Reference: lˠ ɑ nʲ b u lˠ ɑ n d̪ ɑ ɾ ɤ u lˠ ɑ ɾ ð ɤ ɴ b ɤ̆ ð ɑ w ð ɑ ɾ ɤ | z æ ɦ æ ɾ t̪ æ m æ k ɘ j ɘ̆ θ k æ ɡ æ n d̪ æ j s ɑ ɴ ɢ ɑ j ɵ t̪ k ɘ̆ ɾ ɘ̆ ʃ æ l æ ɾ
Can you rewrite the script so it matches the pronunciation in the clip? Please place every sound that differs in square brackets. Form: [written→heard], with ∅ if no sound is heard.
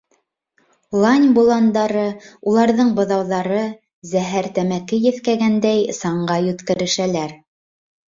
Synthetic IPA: lˠ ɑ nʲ b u lˠ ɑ n d̪ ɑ ɾ ɤ u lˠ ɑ ɾ ð ɤ ɴ b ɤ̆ ð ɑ w ð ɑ ɾ ɤ | z æ ɦ æ ɾ t̪ æ m æ k ɘ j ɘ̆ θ k æ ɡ æ n d̪ æ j s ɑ ɴ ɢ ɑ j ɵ t̪ k ɘ̆ ɾ ɘ̆ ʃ æ l æ ɾ